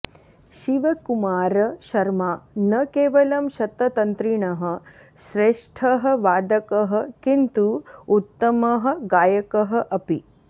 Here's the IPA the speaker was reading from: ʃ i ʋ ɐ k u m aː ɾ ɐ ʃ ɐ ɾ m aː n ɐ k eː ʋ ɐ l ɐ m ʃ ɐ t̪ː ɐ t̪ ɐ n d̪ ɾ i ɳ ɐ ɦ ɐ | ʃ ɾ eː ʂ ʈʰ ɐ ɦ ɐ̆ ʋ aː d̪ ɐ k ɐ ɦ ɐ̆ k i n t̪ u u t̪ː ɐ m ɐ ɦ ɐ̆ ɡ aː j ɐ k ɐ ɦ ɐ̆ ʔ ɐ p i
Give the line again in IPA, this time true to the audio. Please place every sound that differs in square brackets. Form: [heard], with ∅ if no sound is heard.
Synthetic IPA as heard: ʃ i ʋ ɐ k u m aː ɾ ɐ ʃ ɐ ɾ m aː n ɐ k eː ʋ ɐ l ɐ m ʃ ɐ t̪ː ɐ t̪ ɐ n [t̪] ɾ i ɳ ɐ ɦ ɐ | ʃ ɾ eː ʂ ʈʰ ɐ ɦ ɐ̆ ʋ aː d̪ ɐ k ɐ ɦ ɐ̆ k i n t̪ u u t̪ː ɐ m ɐ ɦ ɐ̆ ɡ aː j ɐ k ɐ ɦ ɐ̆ ʔ ɐ p i

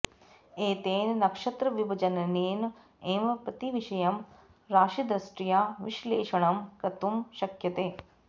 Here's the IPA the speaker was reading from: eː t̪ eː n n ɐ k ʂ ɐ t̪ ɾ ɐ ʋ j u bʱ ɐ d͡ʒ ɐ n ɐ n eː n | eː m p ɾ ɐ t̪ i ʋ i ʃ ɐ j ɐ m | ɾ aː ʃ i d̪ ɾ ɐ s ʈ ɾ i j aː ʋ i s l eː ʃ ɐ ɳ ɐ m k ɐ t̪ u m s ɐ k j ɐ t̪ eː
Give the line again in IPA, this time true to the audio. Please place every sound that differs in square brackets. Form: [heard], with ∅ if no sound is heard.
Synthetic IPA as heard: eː t̪ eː n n ɐ k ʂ ɐ t̪ ɾ ɐ ʋ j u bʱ ɐ d͡ʒ ɐ n ɐ n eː n | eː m p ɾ ɐ t̪ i ʋ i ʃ ɐ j ɐ m | ɾ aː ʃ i d̪ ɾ ɐ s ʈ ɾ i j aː ʋ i [ʃ] l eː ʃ ɐ ɳ ɐ m k ɐ t̪ u m [ʃ] ɐ k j ɐ t̪ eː

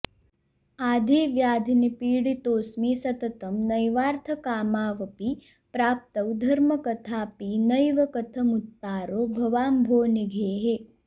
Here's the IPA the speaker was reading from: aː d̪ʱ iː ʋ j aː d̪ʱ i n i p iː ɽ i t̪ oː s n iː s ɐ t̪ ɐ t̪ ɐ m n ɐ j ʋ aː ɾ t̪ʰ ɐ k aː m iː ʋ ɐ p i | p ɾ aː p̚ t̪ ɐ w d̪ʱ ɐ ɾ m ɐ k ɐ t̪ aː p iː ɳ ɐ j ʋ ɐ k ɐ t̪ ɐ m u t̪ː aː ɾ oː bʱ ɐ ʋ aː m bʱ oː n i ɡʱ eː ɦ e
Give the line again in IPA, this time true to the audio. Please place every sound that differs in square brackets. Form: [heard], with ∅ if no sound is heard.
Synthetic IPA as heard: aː d̪ʱ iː ʋ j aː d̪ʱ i n i p iː ɽ i t̪ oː s [m] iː s ɐ t̪ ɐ t̪ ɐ m n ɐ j ʋ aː ɾ t̪ʰ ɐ k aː m [aː] ʋ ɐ p i | p ɾ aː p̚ t̪ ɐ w d̪ʱ ɐ ɾ m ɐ k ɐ [t̪ʰ] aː p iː [n] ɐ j ʋ ɐ k ɐ [t̪ʰ] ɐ m u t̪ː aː ɾ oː bʱ ɐ ʋ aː m bʱ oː n i ɡʱ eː ɦ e

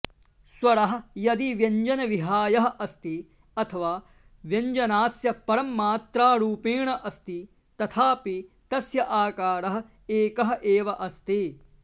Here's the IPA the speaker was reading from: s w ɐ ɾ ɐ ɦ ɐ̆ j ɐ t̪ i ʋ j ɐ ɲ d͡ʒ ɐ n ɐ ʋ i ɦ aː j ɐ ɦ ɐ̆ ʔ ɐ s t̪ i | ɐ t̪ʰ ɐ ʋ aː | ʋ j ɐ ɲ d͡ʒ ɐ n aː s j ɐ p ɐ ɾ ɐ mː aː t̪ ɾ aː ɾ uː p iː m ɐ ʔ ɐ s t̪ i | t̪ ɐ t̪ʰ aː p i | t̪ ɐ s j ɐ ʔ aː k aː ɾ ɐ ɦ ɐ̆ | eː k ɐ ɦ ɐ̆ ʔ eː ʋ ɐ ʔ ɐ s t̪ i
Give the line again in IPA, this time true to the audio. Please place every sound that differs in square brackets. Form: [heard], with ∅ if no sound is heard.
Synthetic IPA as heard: s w ɐ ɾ ɐ ɦ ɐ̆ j ɐ [d̪] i ʋ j ɐ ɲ d͡ʒ ɐ n ɐ ʋ i ɦ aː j ɐ ɦ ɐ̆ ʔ ɐ s t̪ i | ɐ t̪ʰ ɐ ʋ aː | ʋ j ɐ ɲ d͡ʒ ɐ n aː s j ɐ p ɐ ɾ ɐ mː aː t̪ ɾ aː ɾ uː p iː [ɳ] ɐ ʔ ɐ s t̪ i | t̪ ɐ t̪ʰ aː p i | t̪ ɐ s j ɐ ʔ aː k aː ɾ ɐ ɦ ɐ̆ | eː k ɐ ɦ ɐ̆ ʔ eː ʋ ɐ ʔ ɐ s t̪ i

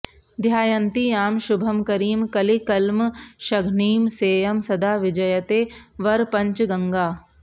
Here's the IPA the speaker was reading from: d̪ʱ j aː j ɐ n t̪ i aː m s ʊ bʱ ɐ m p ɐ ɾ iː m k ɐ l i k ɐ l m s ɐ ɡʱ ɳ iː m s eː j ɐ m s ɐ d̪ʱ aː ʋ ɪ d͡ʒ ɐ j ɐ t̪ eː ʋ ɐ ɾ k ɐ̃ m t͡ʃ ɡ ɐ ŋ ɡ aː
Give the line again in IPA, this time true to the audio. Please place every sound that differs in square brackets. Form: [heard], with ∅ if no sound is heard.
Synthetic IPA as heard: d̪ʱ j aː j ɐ n t̪ i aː m [ʃ] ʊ bʱ ɐ m [k] ɐ ɾ iː m k ɐ l i k ɐ l m [ʃ] ɐ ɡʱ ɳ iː m s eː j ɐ m s ɐ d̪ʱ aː ʋ ɪ d͡ʒ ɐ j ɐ t̪ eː ʋ ɐ ɾ [p] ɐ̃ [ɲ] t͡ʃ ɡ ɐ ŋ ɡ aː

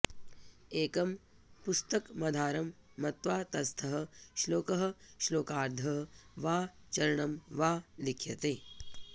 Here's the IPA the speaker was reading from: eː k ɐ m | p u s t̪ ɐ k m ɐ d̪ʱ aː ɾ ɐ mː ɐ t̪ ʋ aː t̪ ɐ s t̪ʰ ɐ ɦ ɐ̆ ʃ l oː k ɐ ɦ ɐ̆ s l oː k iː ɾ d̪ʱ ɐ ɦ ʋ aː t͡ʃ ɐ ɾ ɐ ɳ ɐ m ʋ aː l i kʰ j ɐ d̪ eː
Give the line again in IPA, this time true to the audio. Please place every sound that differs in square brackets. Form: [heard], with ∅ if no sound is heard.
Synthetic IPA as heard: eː k ɐ m | p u s t̪ ɐ k m ɐ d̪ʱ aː ɾ ɐ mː ɐ t̪ ʋ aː t̪ ɐ s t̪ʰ ɐ ɦ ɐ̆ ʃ l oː k ɐ ɦ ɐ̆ [ʃ] l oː k [aː] ɾ d̪ʱ ɐ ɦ ʋ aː t͡ʃ ɐ ɾ ɐ ɳ ɐ m ʋ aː l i kʰ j ɐ [t̪] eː

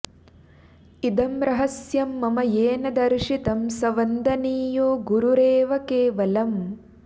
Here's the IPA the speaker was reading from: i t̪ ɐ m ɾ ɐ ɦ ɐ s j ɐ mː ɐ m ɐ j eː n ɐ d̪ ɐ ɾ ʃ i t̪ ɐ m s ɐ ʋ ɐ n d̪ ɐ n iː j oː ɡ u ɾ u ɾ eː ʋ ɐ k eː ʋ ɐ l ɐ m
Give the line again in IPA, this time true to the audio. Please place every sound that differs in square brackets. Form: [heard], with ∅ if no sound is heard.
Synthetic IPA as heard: i [d̪] ɐ m ɾ ɐ ɦ ɐ s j ɐ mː ɐ m ɐ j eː n ɐ d̪ ɐ ɾ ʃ i t̪ ɐ m s ɐ ʋ ɐ n d̪ ɐ n iː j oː ɡ u ɾ u ɾ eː ʋ ɐ k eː ʋ ɐ l ɐ m

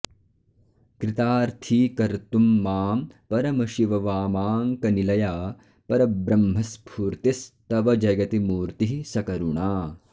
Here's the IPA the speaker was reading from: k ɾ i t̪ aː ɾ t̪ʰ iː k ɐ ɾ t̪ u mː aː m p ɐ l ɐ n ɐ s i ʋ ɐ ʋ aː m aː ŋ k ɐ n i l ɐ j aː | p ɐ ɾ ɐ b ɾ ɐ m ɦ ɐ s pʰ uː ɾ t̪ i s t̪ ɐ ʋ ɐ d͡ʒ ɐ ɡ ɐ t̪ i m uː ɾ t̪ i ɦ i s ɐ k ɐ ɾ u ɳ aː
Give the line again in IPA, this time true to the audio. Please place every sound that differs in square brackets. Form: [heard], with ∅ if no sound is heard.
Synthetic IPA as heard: k ɾ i t̪ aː ɾ t̪ʰ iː k ɐ ɾ t̪ u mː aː m p ɐ [ɾ] ɐ [m] ɐ [ʃ] i ʋ ɐ ʋ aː m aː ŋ k ɐ n i l ɐ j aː | p ɐ ɾ ɐ b ɾ ɐ m ɦ ɐ s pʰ uː ɾ t̪ i s t̪ ɐ ʋ ɐ d͡ʒ ɐ ɡ ɐ t̪ i m uː ɾ t̪ i ɦ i s ɐ k ɐ ɾ u ɳ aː

